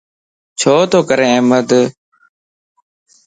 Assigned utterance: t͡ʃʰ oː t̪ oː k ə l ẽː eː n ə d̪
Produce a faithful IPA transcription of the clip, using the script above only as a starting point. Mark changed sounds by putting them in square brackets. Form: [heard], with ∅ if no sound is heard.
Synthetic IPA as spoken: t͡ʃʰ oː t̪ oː k ə [ɾ] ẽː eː [m] ə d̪